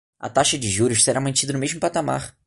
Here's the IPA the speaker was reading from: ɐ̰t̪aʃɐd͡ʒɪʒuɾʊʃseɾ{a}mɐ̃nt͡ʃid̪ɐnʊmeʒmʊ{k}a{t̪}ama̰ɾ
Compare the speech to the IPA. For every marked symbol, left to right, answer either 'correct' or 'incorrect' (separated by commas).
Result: correct, incorrect, correct